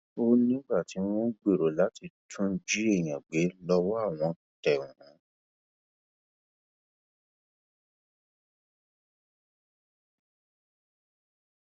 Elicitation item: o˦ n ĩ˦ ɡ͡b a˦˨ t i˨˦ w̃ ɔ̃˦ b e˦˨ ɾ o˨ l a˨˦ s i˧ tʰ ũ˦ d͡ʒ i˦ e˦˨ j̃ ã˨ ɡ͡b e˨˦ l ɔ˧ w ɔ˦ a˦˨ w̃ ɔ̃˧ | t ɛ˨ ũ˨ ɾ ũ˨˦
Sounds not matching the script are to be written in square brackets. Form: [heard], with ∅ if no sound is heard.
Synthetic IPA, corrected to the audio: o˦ n ĩ˦ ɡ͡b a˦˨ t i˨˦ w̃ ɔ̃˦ [ɡ͡b] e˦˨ ɾ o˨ l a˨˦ [t] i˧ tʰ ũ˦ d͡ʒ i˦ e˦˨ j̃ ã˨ ɡ͡b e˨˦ l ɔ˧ w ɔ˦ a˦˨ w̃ ɔ̃˧ | t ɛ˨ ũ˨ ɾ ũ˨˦